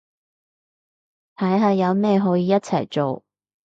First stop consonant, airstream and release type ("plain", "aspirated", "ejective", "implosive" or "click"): aspirated